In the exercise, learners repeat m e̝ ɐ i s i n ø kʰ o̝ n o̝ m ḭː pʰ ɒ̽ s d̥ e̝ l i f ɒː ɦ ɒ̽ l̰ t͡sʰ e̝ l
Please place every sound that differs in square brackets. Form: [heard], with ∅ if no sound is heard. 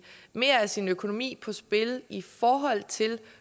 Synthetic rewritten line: m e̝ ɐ [æ] s i n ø kʰ o̝ n o̝ m ḭː pʰ ɒ̽ s [b̥] e̝ l i f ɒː ɦ ɒ̽ l̰ t͡sʰ e̝ l